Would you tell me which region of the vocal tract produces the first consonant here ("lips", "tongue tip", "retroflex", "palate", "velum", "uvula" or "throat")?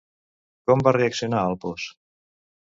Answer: velum